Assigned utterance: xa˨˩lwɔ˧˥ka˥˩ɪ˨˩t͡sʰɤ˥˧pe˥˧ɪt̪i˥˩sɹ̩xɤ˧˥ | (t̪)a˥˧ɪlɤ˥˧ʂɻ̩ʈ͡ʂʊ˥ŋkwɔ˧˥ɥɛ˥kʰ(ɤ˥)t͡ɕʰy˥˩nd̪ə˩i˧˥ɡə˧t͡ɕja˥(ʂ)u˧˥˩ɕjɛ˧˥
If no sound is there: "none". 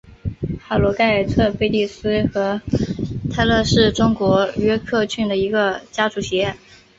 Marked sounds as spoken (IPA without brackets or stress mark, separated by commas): t̪ʰ, ɤ˥˧, ʈ͡ʂ